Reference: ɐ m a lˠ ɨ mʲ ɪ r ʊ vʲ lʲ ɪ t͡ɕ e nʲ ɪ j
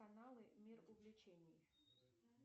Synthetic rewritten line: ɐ n a lˠ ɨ mʲ i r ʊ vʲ lʲ ɪ t͡ɕ e nʲ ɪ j